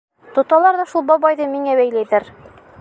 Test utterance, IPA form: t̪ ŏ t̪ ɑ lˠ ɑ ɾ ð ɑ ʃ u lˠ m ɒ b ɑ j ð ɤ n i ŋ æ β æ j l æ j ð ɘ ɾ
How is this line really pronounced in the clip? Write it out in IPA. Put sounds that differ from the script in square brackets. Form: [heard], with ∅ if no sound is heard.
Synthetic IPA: t̪ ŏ t̪ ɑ lˠ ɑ ɾ ð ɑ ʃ u lˠ [b] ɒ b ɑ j ð ɤ [m] i ŋ æ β æ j l æ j ð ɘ ɾ